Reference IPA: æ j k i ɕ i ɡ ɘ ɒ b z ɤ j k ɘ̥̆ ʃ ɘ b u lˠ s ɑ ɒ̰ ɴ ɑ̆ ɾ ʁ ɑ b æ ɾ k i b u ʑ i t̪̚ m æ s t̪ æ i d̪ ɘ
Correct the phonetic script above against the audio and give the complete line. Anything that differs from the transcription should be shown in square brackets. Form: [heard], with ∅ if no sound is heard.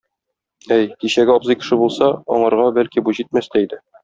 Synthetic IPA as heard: æ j k i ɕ [æ] ɡ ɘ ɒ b z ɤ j k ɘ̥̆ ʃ ɘ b u lˠ s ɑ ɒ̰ ɴ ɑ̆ ɾ ʁ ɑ b æ [l] k i b u ʑ i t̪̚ m æ s t̪ æ i d̪ ɘ